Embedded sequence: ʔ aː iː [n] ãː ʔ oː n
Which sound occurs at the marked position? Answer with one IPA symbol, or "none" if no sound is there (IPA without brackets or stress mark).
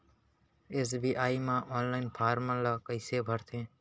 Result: m